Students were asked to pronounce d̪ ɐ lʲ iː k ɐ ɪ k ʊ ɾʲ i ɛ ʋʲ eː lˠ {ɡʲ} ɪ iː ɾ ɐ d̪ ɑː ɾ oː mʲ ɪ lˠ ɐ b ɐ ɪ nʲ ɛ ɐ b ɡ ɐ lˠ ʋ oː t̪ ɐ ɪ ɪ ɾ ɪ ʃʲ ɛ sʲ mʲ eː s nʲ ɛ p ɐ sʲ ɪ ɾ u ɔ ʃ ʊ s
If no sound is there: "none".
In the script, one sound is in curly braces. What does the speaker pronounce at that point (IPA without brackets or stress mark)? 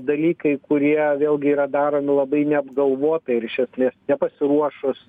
ɡʲ